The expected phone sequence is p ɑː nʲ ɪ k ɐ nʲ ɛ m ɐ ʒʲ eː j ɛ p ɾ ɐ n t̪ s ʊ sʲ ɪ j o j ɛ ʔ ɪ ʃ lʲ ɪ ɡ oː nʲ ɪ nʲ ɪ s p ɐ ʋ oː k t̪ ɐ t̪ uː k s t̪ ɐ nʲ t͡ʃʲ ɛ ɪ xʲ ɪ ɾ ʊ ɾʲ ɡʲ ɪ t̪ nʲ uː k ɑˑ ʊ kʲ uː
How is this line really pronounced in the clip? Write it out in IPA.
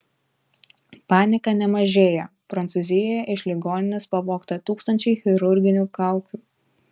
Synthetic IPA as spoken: p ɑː nʲ ɪ k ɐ nʲ ɛ m ɐ ʒʲ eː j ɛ p ɾ ɐ n t̪ s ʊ zʲ ɪ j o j ɛ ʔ ɪ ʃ lʲ ɪ ɡ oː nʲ ɪ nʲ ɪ s p ɐ ʋ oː k t̪ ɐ t̪ uː k s t̪ ɐ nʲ t͡ʃʲ ɛ ɪ xʲ ɪ ɾ ʊ ɾʲ ɡʲ ɪ nʲ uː k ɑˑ ʊ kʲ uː